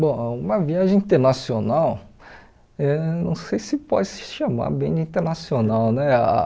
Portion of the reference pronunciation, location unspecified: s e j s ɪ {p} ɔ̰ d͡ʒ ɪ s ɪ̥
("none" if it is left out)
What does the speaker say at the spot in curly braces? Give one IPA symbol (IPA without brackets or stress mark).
p